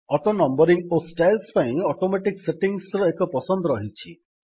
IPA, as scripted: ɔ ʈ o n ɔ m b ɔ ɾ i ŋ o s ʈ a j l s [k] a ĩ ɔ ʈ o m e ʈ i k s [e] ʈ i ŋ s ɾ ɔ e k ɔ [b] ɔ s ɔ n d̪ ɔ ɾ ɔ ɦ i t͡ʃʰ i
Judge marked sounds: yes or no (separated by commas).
no, yes, no